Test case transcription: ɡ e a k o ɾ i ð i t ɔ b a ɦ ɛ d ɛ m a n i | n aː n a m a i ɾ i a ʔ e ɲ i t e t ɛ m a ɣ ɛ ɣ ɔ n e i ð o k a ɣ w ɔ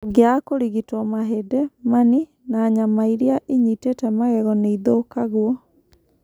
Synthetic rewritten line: ɡ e a k o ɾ i ɣ i t ɔ m a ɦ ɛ d ɛ m a n i | n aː ɲ a m a i ɾ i a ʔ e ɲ i t e t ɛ m a ɣ ɛ ɣ ɔ n e i ð o k a ɣ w ɔ